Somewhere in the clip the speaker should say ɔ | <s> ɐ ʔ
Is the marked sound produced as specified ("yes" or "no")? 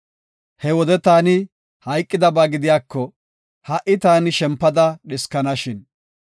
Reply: no